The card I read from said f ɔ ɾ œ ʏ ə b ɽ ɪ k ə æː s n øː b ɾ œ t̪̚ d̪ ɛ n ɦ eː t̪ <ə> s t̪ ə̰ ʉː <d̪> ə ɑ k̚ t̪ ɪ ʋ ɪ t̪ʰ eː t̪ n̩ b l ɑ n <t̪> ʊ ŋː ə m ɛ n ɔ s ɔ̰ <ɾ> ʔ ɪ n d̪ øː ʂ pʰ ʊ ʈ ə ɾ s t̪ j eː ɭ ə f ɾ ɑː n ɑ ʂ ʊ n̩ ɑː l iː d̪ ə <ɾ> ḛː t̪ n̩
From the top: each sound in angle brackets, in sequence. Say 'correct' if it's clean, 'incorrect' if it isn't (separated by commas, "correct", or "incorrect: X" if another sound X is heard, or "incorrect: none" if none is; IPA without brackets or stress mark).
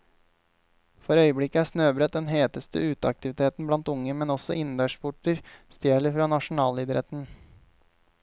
correct, incorrect: t̪, correct, incorrect: none, correct